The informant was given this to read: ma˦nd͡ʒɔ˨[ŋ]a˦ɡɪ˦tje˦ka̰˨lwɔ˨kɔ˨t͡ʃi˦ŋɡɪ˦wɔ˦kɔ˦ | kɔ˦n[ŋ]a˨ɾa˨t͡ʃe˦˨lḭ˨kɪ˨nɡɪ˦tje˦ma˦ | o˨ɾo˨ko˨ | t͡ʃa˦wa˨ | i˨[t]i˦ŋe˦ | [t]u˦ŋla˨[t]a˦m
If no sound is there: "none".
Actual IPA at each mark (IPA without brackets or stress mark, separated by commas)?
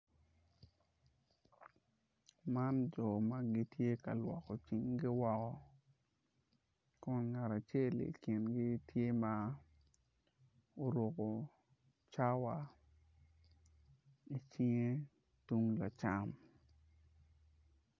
m, ŋ, t͡ʃ, t, t͡ʃ